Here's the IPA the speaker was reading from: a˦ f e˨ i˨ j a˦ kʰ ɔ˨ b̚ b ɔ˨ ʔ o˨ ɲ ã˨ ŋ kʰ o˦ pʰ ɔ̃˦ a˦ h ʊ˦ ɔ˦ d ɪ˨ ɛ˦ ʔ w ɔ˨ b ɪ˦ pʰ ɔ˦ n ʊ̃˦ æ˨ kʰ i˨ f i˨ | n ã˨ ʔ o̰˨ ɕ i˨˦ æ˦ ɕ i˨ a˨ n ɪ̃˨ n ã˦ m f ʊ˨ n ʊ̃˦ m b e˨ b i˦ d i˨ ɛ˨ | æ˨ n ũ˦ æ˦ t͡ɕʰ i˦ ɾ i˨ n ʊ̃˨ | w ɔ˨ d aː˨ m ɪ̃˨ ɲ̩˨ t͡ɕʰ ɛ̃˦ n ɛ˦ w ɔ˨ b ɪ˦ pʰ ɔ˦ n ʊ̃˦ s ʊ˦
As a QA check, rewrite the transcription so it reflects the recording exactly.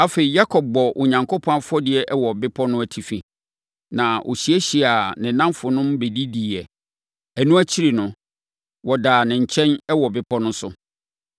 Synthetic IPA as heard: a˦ f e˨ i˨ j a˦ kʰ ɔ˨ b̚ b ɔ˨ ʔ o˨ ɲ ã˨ ŋ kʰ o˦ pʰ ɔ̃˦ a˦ f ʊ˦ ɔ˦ d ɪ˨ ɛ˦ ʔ w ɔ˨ b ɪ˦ pʰ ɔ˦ n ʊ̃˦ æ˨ tʰ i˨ f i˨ | n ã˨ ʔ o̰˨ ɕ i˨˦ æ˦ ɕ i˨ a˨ n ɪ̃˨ n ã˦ m f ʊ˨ n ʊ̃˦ m b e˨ d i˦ d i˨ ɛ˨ | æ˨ n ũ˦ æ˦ t͡ɕʰ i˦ ɾ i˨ n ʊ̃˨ | w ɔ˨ d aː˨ n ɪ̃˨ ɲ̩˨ t͡ɕʰ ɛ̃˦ n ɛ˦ w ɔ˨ b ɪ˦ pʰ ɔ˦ n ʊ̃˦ s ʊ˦